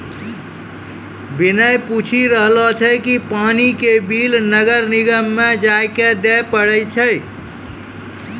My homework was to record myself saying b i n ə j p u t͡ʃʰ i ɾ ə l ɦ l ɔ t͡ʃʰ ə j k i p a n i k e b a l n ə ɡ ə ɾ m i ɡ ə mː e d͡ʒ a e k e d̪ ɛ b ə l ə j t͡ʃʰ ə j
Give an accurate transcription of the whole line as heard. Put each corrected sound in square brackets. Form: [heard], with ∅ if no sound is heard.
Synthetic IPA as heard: b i n ə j p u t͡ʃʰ i ɾ ə [∅] ɦ l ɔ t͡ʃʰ ə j k i p a n i k e b [i] l n ə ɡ ə ɾ [n] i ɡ ə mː e d͡ʒ a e k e d̪ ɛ [p] ə [ɽ] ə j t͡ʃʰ ə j